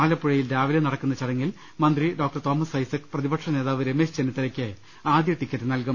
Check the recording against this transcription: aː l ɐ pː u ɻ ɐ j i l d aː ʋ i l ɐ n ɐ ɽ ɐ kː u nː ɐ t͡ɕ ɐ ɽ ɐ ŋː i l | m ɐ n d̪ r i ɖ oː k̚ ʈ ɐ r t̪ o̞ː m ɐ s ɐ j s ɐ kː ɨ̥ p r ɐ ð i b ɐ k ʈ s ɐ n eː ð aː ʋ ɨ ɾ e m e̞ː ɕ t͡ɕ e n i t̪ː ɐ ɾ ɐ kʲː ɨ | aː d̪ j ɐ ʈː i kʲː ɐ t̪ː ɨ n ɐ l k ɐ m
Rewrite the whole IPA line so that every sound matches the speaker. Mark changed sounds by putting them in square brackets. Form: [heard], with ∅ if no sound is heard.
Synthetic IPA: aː l ɐ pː u ɻ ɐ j i l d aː ʋ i l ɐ n ɐ ɽ ɐ kː u nː ɐ t͡ɕ ɐ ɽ ɐ ŋː i l | m ɐ n d̪ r i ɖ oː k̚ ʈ ɐ r t̪ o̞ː m ɐ s ɐ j s ɐ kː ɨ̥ p r ɐ ð i b ɐ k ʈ [ʂ] ɐ n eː ð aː ʋ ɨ ɾ e m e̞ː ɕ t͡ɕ e n i t̪ː ɐ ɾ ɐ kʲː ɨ | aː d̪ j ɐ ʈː i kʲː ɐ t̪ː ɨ n ɐ l k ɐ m